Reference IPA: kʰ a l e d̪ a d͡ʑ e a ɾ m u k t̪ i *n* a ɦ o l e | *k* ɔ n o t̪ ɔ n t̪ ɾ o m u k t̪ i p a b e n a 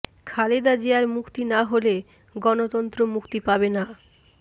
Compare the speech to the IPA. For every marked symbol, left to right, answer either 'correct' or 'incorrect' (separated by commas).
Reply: correct, incorrect